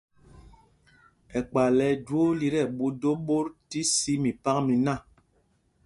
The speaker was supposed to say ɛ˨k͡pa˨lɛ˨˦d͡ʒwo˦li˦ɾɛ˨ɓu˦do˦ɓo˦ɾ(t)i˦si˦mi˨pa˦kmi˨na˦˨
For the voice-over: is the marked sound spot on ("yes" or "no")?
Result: yes